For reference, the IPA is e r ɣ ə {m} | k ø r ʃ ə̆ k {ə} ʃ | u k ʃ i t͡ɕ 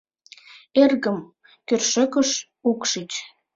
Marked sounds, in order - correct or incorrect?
correct, correct

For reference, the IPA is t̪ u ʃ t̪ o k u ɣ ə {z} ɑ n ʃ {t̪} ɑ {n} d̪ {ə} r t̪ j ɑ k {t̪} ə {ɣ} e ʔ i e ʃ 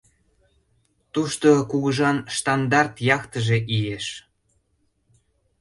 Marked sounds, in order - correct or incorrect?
incorrect, correct, correct, incorrect, correct, incorrect

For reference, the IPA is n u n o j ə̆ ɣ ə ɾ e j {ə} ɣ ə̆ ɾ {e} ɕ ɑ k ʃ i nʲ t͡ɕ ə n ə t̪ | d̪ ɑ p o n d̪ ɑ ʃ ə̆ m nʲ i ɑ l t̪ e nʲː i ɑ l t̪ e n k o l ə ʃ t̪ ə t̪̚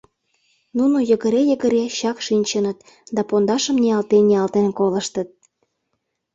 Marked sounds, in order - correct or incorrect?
correct, correct

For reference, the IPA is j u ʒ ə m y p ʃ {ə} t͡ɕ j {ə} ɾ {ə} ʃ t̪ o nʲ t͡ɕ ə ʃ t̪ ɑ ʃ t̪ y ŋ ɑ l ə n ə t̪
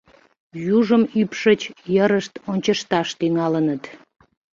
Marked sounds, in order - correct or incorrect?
correct, correct, correct

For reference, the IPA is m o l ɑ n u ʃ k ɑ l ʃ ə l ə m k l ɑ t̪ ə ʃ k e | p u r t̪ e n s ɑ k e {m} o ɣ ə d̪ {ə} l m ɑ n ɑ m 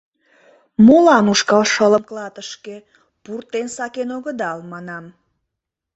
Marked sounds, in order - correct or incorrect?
incorrect, incorrect

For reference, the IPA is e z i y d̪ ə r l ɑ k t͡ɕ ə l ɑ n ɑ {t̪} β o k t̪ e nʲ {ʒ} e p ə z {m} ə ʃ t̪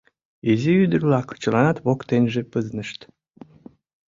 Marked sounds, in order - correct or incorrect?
correct, correct, incorrect

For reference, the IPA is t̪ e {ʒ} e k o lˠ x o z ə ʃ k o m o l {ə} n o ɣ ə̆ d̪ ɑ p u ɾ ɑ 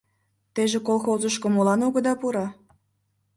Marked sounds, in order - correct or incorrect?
correct, incorrect

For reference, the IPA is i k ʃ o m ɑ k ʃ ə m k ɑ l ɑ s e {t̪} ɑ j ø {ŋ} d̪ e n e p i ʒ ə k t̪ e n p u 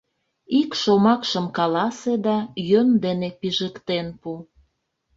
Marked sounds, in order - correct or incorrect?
incorrect, incorrect

